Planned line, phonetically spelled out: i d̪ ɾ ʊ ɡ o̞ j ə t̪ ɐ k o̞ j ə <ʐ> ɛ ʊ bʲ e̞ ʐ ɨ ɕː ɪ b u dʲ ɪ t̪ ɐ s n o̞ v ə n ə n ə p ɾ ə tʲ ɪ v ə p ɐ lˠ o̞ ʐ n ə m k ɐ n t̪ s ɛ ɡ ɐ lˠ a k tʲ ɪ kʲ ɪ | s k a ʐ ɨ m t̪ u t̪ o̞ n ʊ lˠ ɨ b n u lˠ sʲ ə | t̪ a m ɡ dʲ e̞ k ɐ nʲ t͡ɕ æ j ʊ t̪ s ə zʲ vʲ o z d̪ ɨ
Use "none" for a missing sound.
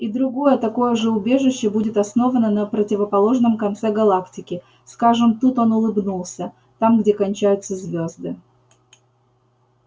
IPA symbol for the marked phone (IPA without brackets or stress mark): ʐ